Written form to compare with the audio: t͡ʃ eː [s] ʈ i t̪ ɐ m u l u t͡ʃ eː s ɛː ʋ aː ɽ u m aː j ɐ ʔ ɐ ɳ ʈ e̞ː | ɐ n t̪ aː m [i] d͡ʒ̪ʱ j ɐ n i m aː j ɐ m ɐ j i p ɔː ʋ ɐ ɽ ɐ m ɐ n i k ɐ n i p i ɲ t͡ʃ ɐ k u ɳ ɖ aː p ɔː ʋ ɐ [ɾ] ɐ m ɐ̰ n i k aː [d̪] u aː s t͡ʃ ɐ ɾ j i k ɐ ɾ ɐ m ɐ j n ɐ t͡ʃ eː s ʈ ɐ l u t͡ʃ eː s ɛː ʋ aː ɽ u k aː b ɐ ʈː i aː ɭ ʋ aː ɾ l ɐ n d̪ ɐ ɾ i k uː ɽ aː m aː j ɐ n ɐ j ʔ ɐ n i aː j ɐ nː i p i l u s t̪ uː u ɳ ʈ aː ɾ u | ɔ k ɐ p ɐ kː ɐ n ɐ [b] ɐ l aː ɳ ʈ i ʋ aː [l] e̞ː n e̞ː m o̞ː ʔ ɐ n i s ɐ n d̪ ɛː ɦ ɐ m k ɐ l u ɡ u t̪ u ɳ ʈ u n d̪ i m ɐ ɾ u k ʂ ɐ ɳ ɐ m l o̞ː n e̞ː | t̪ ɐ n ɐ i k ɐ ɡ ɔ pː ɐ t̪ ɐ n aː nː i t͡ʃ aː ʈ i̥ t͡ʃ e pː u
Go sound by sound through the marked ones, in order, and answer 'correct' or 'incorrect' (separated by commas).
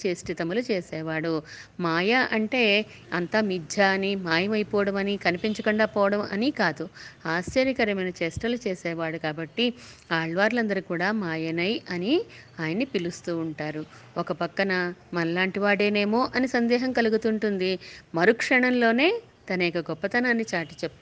correct, correct, incorrect, correct, incorrect, incorrect